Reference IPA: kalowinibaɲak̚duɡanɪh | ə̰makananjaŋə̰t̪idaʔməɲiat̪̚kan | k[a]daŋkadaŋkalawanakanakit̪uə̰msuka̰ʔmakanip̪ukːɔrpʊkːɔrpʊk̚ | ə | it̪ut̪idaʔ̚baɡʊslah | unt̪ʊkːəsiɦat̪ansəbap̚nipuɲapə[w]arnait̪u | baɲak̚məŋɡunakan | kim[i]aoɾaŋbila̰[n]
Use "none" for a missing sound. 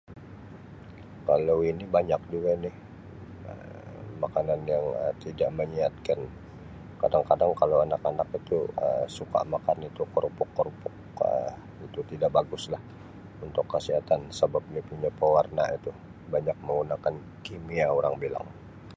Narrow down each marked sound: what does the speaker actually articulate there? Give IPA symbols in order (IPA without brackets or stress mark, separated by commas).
a, w, i, ŋ